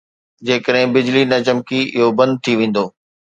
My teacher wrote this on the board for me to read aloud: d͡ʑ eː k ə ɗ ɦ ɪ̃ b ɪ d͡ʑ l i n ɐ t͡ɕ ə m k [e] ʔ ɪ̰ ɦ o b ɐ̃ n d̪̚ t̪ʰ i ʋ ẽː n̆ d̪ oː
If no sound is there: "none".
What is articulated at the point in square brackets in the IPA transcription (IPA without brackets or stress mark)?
i